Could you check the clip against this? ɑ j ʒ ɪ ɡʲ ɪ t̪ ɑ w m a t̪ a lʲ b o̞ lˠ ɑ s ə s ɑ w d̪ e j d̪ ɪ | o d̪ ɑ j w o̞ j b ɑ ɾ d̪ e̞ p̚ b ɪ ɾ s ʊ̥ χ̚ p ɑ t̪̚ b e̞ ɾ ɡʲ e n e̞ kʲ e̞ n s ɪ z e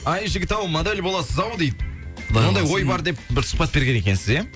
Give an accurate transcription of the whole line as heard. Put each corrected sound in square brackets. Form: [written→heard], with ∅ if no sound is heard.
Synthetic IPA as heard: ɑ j ʒ ɪ ɡʲ ɪ t̪ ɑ w m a [t̪→d̪] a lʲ b o̞ lˠ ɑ s ə [s→z] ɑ w d̪ e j d̪ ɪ | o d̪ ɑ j w o̞ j b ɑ ɾ d̪ e̞ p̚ b ɪ ɾ s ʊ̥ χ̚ p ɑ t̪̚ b e̞ ɾ ɡʲ e n e̞ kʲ e̞ n s ɪ z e